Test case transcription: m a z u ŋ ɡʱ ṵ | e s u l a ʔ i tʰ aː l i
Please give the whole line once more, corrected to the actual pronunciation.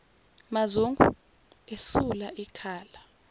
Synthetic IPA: m a z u ŋ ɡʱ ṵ | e s u l a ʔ i kʰ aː l a